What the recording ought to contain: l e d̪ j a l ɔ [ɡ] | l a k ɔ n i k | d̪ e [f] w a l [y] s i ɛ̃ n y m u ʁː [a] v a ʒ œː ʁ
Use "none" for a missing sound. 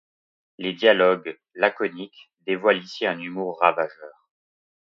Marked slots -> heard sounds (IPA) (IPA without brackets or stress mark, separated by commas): ɡ, v, i, a